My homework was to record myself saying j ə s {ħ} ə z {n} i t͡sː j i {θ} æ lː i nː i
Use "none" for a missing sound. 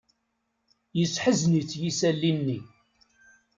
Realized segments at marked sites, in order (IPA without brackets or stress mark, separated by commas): ħ, n, s